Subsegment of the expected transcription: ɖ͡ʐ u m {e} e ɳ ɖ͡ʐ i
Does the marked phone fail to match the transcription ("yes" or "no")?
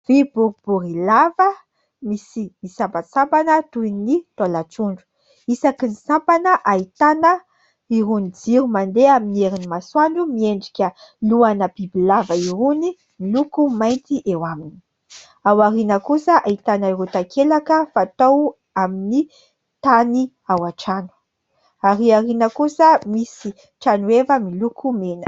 yes